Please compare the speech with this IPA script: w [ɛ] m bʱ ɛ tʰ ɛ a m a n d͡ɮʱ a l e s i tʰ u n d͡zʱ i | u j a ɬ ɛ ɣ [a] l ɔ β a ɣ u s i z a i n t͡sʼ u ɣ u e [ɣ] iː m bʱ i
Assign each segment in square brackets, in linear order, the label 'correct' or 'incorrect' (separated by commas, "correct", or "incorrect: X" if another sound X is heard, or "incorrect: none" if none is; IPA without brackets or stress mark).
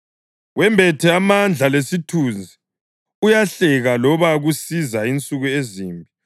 correct, correct, incorrect: z